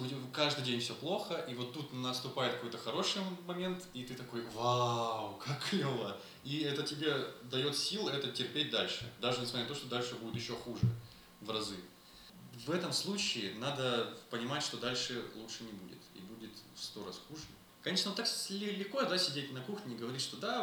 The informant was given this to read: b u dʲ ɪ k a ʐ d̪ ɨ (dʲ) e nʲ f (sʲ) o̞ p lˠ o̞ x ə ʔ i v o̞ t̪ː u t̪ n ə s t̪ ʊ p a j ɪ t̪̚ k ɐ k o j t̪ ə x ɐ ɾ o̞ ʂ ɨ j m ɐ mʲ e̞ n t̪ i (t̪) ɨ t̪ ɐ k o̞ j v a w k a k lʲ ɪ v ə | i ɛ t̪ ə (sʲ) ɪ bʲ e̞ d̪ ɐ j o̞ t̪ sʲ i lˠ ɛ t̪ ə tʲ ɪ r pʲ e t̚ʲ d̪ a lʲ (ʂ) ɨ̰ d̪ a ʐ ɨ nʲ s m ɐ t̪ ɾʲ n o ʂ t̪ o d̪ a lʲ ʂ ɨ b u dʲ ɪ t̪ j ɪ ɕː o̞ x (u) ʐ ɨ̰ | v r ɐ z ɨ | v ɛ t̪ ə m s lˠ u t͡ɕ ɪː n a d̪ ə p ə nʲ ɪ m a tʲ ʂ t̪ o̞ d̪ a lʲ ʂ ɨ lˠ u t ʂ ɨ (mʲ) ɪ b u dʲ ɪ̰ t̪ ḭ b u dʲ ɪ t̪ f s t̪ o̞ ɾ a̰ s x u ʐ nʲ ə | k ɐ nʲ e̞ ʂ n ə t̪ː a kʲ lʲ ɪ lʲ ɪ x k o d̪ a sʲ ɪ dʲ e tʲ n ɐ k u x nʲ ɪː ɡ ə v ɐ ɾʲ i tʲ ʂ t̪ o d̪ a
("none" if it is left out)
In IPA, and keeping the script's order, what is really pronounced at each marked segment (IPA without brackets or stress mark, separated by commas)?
dʲ, sʲ, t̪, tʲ, ʂ, u, nʲ